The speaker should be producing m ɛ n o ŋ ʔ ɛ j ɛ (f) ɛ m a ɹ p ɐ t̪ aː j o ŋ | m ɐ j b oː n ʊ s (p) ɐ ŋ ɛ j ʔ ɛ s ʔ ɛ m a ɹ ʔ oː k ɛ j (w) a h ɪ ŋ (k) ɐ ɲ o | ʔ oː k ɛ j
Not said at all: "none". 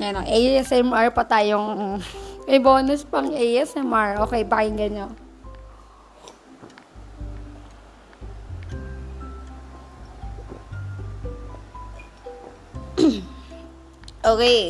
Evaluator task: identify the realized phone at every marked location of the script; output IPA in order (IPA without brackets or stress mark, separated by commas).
s, p, b, ɡ